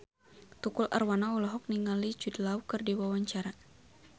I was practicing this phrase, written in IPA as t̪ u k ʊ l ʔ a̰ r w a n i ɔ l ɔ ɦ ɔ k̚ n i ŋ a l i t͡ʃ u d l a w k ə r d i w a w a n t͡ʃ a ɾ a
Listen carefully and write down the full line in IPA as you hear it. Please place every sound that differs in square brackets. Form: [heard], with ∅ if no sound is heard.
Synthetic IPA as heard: t̪ u k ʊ l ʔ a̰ r w a n [a] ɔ l ɔ ɦ ɔ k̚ n i ŋ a l i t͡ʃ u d l a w k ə r d i w a w a [ɲ] t͡ʃ a ɾ a